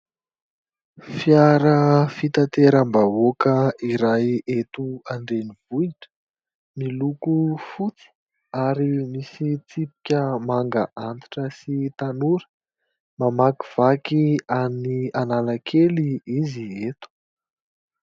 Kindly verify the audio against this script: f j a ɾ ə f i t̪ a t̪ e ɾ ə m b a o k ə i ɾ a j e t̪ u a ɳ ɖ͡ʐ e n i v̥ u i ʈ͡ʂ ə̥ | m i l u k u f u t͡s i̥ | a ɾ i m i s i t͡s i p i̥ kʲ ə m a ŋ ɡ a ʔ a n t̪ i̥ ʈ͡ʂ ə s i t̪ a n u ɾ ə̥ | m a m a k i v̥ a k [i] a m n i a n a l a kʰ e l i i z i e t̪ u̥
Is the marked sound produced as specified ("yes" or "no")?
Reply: yes